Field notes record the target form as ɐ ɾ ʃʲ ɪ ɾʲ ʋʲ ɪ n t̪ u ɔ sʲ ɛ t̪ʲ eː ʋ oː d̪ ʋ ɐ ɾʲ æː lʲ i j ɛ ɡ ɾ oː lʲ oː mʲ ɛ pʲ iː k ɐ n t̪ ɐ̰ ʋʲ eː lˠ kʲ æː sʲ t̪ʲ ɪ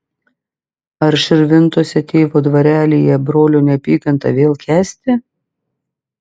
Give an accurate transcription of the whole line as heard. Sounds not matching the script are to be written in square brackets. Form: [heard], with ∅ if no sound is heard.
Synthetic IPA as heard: ɐ ɾ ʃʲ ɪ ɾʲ ʋʲ ɪ n t̪ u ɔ sʲ ɛ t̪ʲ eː ʋ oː d̪ ʋ ɐ ɾʲ æː lʲ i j ɛ [b] ɾ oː lʲ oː [nʲ] ɛ pʲ iː k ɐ n t̪ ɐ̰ ʋʲ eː lˠ kʲ æː sʲ t̪ʲ ɪ